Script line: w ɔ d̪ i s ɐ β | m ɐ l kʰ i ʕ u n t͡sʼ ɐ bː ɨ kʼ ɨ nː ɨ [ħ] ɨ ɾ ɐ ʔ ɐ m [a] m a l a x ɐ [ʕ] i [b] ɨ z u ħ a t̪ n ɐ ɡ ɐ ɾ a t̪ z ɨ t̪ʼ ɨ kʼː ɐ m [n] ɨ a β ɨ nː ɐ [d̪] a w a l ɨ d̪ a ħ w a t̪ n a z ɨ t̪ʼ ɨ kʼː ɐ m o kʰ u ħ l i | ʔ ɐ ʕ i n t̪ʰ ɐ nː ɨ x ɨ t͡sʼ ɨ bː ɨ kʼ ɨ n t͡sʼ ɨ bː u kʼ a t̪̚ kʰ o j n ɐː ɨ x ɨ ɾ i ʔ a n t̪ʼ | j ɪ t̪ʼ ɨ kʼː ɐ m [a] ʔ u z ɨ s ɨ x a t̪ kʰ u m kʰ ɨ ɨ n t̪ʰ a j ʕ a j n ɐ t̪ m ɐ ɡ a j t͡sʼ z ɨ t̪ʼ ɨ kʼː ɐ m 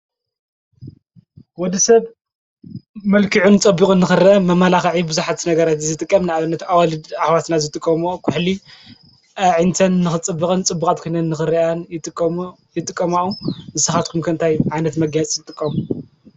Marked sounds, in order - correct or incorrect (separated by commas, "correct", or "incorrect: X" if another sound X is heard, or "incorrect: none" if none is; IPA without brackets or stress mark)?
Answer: incorrect: x, incorrect: ɐ, correct, correct, correct, incorrect: t̪, correct